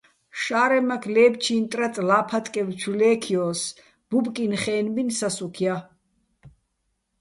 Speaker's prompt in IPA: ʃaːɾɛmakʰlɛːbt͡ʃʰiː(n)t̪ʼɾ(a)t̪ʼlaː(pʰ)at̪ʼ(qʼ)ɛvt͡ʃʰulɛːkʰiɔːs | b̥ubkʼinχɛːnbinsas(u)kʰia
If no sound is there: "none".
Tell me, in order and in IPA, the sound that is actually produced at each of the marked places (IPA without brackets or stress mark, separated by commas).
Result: n, a, pʰ, kʼ, u